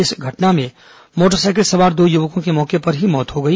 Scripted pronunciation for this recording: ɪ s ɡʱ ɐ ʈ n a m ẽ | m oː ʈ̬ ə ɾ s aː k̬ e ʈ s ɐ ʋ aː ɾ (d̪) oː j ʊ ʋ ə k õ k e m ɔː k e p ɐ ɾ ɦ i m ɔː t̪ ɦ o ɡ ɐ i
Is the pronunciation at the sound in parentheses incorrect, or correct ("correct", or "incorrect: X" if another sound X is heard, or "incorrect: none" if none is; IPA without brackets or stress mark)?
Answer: correct